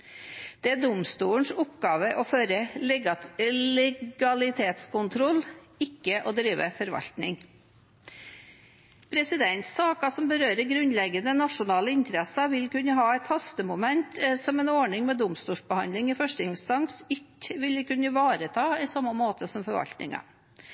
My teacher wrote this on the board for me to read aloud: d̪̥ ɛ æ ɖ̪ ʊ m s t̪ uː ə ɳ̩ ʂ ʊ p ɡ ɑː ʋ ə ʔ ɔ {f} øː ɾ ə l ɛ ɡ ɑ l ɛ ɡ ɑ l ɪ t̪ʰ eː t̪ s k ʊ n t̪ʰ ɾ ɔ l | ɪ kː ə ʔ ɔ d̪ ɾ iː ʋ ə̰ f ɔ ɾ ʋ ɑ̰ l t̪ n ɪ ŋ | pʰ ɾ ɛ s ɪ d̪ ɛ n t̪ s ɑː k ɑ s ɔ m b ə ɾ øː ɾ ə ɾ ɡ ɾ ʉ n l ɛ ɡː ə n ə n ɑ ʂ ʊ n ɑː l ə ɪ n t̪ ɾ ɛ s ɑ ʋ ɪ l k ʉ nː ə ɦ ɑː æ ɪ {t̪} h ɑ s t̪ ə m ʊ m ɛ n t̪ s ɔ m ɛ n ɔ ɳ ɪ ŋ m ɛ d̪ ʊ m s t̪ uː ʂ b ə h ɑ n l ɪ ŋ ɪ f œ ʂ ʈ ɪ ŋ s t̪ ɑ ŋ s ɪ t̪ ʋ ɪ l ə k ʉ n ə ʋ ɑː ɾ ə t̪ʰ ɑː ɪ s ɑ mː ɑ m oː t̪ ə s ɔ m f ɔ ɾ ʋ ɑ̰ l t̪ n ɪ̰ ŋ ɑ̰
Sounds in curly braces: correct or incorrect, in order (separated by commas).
correct, correct